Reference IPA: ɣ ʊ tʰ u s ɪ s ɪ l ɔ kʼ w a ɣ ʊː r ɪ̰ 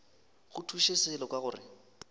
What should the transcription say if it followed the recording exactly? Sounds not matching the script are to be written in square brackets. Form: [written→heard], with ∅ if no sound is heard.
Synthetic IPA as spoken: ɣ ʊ tʰ u [s→ʃ] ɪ s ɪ l ɔ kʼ w a ɣ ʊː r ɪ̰